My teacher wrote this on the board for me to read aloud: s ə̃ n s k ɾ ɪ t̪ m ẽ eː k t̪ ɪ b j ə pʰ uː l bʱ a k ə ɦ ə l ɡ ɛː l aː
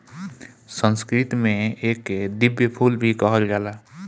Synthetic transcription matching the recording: s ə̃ n s k ɾ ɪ t̪ m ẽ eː k d̪ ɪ b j ə pʰ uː l bʱ i k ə ɦ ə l ɡ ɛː l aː